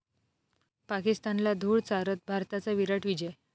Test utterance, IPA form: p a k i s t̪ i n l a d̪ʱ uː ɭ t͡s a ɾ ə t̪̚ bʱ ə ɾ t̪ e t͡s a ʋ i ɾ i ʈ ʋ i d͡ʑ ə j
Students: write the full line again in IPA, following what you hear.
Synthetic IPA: p a k i s t̪ a n l a d̪ʱ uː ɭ t͡s a ɾ ə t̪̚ bʱ a ɾ t̪ a t͡s a ʋ i ɾ a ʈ ʋ i d͡ʑ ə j

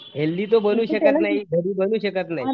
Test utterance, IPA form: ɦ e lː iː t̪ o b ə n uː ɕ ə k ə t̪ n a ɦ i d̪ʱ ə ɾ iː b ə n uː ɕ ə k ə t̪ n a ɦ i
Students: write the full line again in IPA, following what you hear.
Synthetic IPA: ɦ e lː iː t̪ o b ə n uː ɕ ə k ə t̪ n a ɦ i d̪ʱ ə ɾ iː b ə n uː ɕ ə k ə t̪ n a ɦ i

